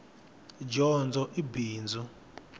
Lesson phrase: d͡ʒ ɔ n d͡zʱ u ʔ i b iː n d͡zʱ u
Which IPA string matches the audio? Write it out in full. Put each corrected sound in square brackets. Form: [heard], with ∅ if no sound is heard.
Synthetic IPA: d͡ʒ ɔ n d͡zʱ [ɔ] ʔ i b iː n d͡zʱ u

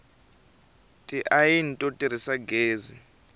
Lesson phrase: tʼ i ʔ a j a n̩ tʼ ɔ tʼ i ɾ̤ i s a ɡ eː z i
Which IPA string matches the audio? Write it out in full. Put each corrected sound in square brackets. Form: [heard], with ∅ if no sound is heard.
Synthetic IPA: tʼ i ʔ a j [i] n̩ tʼ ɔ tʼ i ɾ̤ i s a ɡ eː z i

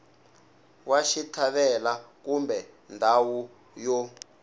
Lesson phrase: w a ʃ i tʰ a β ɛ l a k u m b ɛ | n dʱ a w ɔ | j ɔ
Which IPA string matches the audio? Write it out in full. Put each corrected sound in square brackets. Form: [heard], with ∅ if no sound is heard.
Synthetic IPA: w a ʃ i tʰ a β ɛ l a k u m b ɛ | n dʱ a w [u] | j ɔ

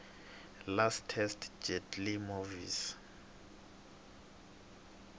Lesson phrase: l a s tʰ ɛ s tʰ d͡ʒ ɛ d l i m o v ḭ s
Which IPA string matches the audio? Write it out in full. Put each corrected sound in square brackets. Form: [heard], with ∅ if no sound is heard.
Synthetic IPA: l a s tʰ ɛ s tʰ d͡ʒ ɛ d l i m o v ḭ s

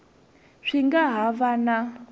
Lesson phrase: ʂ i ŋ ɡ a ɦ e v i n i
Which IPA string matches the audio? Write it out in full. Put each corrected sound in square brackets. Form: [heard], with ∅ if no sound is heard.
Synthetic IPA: ʂ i ŋ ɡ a ɦ [a] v [a] n [a]

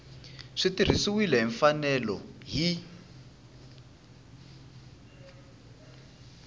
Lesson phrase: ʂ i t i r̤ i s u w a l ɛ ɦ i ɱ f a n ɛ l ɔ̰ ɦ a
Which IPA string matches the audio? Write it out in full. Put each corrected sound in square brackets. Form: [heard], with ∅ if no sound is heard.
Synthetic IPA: ʂ i t i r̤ i s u w [i] l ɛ ɦ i ɱ f a n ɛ l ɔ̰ ɦ [i]

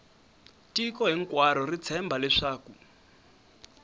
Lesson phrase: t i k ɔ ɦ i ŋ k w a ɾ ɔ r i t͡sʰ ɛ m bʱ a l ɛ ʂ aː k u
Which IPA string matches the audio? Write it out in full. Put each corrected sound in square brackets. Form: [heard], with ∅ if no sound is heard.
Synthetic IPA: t i k ɔ ɦ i ŋ k w a ɾ ɔ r i t͡sʰ ɛ m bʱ a l ɛ ʂ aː k u

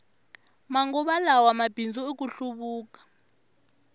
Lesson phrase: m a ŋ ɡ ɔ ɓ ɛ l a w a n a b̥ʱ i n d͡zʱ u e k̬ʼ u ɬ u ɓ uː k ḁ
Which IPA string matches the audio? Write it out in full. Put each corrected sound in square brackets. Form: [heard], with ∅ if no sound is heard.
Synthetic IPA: m a ŋ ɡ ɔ ɓ [a] l a w a [m] a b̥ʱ i n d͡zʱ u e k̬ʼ u ɬ u ɓ uː k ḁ

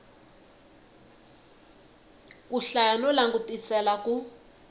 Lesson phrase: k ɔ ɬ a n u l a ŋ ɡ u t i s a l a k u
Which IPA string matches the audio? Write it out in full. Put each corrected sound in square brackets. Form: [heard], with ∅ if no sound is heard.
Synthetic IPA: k [u] ɬ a n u l a ŋ ɡ u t i s [ɛ] l a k u

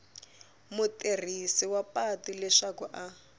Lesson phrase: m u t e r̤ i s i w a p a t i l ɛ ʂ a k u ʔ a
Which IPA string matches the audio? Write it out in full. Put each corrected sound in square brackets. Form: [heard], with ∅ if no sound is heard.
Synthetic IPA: m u t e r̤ i s i w a p a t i l ɛ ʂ a k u ʔ a

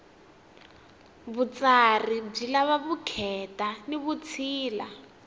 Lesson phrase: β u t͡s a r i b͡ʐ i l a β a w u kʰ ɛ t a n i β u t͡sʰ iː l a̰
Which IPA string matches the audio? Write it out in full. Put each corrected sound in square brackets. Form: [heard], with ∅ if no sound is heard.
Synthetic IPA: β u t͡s a r i b͡ʐ i l a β a [β] u kʰ ɛ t a n i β u t͡sʰ iː l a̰

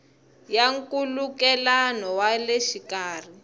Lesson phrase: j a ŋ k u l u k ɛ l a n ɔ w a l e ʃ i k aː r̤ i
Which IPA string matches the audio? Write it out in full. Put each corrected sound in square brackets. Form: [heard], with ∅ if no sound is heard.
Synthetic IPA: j a ŋ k u l u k ɛ l a n ɔ w a l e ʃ i k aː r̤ i

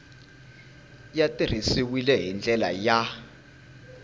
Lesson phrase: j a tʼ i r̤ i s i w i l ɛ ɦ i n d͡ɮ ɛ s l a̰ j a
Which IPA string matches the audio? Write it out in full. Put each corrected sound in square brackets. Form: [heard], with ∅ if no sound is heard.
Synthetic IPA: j a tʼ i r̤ i s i w i l ɛ ɦ i n d͡ɮ ɛ [∅] l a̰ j a

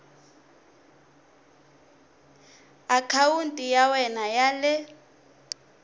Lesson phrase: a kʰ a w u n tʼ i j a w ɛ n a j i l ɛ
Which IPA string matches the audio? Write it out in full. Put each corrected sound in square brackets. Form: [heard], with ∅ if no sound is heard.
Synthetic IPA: a kʰ a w u n tʼ i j a w ɛ n a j [a] l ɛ

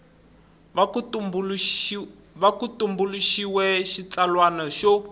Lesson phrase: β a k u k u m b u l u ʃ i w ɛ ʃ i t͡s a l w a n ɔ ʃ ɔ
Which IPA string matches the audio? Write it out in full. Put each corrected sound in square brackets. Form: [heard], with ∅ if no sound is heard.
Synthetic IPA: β a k u [t] u m b u l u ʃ i w ɛ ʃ i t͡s a l w a n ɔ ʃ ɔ

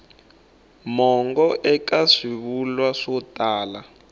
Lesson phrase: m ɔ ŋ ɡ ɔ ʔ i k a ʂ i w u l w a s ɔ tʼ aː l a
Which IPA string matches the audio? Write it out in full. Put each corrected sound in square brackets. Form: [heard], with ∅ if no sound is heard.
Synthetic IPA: m ɔ ŋ ɡ ɔ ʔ [ɛ] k a ʂ i [β] u l w a [ʂ] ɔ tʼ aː l a

